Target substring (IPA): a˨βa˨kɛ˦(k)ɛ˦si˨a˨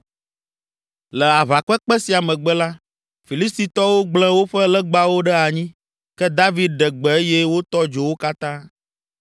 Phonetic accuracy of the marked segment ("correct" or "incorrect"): incorrect